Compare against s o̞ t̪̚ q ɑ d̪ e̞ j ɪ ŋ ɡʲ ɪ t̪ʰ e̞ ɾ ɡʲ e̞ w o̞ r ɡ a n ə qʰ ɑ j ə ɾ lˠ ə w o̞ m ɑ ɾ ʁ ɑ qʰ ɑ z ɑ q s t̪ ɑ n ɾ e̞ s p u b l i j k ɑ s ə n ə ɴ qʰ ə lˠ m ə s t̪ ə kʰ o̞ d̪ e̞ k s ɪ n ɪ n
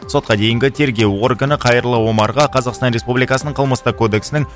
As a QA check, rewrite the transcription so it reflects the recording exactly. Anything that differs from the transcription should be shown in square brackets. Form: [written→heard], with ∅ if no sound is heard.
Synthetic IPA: s o̞ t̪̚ q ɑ d̪ e̞ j ɪ ŋ ɡʲ ɪ t̪ʰ e̞ ɾ ɡʲ e̞ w o̞ r ɡ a n ə qʰ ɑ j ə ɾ lˠ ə w o̞ m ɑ ɾ ʁ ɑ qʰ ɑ z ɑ q s t̪ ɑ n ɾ e̞ s p u b l i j k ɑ s ə n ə ɴ qʰ ə lˠ m ə s t̪ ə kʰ o̞ d̪ e̞ k s ɪ n ɪ [n→ŋ]